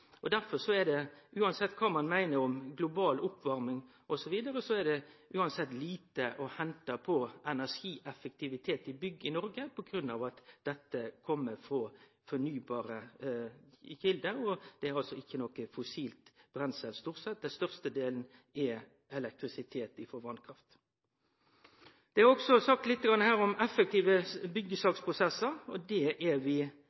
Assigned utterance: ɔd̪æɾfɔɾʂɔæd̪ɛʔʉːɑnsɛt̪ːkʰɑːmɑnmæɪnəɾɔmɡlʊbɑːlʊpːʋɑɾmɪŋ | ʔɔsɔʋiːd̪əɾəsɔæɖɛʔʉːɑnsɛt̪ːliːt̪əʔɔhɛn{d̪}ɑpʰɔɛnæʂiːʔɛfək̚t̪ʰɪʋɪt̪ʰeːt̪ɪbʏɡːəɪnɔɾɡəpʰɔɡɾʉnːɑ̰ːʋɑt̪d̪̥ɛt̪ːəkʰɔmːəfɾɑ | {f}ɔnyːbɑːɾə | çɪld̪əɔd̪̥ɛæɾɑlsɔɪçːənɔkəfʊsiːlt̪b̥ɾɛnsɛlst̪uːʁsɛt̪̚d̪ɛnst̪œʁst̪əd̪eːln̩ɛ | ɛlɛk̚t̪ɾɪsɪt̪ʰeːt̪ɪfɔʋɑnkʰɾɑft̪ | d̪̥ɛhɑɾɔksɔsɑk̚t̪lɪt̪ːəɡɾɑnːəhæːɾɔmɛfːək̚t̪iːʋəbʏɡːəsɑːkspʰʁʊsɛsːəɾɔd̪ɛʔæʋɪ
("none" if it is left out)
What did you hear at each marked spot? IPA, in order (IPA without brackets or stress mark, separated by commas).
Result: t̪, f